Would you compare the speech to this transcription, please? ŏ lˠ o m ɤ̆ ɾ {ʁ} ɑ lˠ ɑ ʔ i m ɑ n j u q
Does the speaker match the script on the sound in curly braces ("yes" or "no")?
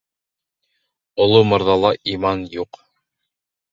no